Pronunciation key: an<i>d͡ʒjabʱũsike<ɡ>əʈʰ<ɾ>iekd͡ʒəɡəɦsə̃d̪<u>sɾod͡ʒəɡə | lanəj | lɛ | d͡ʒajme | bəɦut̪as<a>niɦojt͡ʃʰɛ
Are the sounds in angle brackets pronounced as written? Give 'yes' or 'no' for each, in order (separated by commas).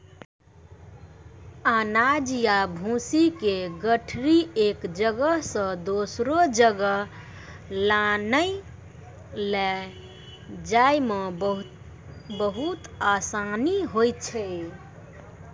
no, yes, yes, no, yes